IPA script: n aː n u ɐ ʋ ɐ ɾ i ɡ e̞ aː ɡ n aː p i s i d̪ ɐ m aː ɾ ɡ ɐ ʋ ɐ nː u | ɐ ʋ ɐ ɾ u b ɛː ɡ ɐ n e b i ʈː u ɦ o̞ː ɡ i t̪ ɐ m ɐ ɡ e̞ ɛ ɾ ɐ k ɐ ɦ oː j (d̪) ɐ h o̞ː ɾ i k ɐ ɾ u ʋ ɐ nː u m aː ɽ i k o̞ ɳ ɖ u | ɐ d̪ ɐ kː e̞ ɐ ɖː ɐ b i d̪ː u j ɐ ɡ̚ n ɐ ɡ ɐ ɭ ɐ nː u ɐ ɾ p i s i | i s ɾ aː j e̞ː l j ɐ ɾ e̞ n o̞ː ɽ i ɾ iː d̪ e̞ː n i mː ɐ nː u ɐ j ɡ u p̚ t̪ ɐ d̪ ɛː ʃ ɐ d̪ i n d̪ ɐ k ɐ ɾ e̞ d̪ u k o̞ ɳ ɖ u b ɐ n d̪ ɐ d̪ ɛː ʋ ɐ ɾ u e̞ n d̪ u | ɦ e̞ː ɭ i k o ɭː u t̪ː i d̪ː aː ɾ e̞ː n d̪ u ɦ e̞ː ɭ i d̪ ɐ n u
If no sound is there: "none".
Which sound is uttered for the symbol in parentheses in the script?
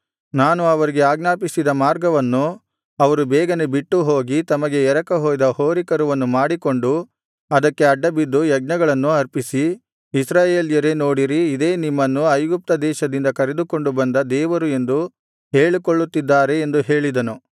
d̪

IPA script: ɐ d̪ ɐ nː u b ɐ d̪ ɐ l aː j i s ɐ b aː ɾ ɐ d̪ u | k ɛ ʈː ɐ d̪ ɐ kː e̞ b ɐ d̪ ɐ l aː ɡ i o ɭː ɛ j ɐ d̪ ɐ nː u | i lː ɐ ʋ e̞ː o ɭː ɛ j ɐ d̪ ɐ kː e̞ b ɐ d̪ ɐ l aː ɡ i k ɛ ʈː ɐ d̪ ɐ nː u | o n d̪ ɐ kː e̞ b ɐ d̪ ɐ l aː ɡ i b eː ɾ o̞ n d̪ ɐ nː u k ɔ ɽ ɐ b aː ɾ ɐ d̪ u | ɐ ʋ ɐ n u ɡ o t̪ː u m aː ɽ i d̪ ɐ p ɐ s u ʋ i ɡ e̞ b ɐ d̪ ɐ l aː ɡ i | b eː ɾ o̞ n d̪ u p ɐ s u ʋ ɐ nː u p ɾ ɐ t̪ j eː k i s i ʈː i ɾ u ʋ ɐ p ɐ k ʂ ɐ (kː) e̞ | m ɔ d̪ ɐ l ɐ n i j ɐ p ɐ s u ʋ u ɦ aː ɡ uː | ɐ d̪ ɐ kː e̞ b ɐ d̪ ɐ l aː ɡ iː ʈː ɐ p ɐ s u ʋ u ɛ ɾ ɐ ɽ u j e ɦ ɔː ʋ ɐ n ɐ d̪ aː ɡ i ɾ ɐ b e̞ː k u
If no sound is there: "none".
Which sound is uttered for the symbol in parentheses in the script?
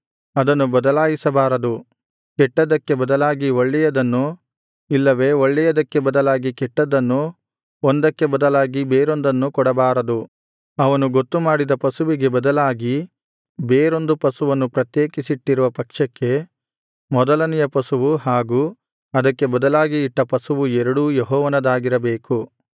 kː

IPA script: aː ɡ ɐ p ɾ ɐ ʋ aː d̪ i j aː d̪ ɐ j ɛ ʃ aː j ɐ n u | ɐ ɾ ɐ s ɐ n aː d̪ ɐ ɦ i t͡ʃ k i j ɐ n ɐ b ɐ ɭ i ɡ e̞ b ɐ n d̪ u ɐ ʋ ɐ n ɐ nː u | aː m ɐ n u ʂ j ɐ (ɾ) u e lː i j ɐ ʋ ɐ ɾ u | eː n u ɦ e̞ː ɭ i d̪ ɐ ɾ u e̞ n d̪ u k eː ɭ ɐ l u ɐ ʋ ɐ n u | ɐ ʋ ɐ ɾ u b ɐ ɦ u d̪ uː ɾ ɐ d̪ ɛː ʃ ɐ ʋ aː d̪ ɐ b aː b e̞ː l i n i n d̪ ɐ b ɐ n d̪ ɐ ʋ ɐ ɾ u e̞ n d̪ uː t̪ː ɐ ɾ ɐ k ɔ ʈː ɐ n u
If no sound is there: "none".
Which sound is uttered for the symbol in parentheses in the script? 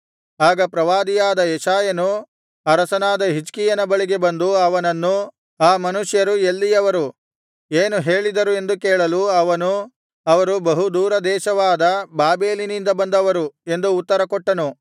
ɾ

